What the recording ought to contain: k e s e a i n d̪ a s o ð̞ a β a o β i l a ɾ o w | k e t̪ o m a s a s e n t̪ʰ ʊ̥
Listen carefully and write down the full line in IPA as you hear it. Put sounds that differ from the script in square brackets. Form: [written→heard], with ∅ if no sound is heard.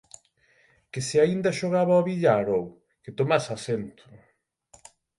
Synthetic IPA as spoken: k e s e a i n d̪ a [s→ʃ] o [ð̞→ɣ̞] a β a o β i [l→ʎ] a ɾ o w | k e t̪ o m a s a s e n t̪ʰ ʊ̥